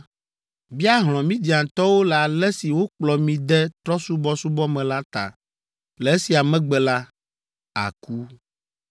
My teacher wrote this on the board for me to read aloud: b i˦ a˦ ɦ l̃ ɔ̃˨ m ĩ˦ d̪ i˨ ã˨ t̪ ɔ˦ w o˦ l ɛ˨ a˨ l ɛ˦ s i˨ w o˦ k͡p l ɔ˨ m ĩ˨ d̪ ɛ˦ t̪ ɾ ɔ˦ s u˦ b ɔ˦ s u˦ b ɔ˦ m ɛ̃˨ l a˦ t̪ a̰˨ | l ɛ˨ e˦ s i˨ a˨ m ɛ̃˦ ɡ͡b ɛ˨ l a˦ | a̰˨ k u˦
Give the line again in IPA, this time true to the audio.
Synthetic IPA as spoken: b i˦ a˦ ɦ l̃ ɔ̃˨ m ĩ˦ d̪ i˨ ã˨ t̪ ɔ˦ w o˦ l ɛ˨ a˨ l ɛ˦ s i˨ w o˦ k͡p l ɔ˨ m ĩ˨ d̪ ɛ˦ t̪ ɾ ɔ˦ s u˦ b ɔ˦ s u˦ b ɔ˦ m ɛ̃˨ l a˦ t̪ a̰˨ | l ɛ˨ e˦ s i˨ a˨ m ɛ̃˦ ɡ͡b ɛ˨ l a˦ | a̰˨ k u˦